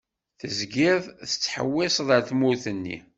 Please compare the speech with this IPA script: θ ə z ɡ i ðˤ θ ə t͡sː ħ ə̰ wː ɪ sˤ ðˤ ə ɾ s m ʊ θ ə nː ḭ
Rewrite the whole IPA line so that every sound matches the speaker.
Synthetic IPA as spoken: θ ə z ɡ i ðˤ θ ə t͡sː ħ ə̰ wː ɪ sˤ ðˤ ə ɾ θ m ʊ θ ə nː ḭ